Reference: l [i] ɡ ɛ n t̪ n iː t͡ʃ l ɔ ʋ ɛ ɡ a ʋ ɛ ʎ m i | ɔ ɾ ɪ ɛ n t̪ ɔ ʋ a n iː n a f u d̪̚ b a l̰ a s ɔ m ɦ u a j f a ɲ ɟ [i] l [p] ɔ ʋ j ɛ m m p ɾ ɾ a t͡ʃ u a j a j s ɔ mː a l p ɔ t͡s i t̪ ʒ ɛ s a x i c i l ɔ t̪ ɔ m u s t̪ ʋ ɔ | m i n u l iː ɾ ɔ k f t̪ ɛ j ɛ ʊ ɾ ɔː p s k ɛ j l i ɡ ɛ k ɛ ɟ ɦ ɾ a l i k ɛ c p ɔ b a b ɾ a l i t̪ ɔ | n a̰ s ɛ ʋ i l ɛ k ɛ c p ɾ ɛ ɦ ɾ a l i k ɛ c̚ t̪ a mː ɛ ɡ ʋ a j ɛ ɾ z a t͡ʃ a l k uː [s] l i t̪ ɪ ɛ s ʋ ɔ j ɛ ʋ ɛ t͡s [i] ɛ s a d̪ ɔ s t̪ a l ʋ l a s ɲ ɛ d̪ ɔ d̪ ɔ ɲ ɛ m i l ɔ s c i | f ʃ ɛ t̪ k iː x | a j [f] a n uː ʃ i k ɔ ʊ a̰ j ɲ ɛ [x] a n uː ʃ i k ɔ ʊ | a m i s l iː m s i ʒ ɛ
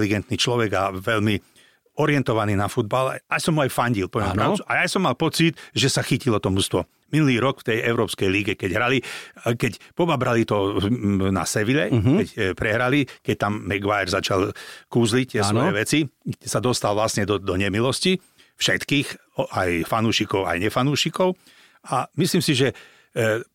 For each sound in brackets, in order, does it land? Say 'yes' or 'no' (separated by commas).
yes, yes, yes, no, yes, yes, no